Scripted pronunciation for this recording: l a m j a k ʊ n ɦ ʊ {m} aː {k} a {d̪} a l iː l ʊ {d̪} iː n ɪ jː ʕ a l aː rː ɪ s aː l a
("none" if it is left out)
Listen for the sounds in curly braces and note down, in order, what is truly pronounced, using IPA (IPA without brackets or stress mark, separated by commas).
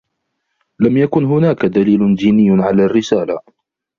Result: n, k, d̪, d̪